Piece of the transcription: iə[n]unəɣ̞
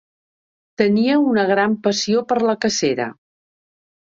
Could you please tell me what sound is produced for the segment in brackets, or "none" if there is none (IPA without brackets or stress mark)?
none